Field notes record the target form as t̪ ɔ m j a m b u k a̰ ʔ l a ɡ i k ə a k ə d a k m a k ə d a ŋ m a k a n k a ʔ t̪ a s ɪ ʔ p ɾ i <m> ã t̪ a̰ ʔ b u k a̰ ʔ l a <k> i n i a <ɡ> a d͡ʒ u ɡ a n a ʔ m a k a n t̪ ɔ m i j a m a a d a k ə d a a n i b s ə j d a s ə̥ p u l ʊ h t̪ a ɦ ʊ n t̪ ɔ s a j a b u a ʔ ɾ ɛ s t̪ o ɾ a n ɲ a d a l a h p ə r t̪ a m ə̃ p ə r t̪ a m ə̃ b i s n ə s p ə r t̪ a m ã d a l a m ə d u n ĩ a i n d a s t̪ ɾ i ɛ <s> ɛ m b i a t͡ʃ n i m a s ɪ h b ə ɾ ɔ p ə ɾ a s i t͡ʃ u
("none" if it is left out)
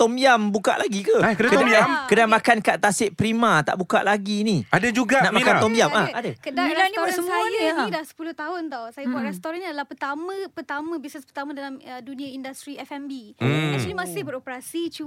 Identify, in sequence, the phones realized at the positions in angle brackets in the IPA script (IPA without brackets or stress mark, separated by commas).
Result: m, ɡ, d, f